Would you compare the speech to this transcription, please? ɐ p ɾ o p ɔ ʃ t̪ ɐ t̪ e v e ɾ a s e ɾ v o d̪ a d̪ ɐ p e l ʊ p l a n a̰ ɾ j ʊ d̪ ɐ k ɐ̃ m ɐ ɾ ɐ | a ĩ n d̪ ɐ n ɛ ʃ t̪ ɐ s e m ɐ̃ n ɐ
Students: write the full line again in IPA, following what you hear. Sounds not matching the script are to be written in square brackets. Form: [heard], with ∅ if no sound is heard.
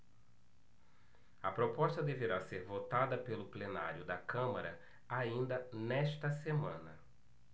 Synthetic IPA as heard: ɐ p ɾ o p ɔ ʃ t̪ ɐ [d̪] e v e ɾ a s e ɾ v o [t̪] a d̪ ɐ p e l ʊ p l [e] n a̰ ɾ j ʊ d̪ ɐ k ɐ̃ m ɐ ɾ ɐ | a ĩ n d̪ ɐ n ɛ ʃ t̪ ɐ s e m ɐ̃ n ɐ